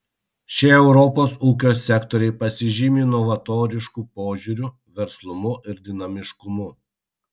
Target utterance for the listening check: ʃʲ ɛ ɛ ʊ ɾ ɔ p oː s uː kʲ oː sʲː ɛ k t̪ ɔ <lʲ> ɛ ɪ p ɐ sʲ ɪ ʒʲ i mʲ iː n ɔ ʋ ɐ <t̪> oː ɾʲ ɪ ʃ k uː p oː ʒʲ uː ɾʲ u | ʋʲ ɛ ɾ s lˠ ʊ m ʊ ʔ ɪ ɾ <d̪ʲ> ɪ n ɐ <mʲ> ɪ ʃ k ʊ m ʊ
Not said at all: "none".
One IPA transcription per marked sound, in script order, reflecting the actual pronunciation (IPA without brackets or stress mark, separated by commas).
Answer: ɾʲ, t̪, d̪ʲ, mʲ